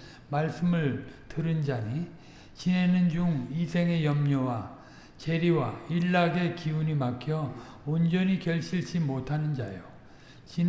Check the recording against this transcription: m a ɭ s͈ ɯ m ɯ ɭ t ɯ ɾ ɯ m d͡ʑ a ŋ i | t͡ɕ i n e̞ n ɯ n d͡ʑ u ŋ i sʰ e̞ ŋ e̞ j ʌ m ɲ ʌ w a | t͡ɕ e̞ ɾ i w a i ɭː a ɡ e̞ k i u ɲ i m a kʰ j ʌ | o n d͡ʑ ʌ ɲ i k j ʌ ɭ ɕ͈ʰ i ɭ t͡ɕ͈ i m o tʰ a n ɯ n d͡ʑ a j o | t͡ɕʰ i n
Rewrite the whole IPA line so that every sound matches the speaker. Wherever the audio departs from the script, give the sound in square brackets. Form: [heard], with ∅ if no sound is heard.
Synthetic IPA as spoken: m a ɭ s͈ ɯ m ɯ ɭ t ɯ ɾ ɯ [n] d͡ʑ a [ɲ] i | t͡ɕ i n e̞ n ɯ n d͡ʑ u ŋ i sʰ e̞ ŋ e̞ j ʌ m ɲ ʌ w a | t͡ɕ e̞ ɾ i w a i ɭː a ɡ e̞ k i u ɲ i m a kʰ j ʌ | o n d͡ʑ ʌ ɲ i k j ʌ ɭ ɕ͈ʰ i ɭ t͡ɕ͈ i m o tʰ a n ɯ n d͡ʑ a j o | [t͡ɕ] i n